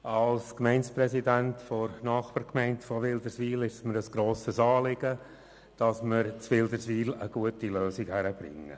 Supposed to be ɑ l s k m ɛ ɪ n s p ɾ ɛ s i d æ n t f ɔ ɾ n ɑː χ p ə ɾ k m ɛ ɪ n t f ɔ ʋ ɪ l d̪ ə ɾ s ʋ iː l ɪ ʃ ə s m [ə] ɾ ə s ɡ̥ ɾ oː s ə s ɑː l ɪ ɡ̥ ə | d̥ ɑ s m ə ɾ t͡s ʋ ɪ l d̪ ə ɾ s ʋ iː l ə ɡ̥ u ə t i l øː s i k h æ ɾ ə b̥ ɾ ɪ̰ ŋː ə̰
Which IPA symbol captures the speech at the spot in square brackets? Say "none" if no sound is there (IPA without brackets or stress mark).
ə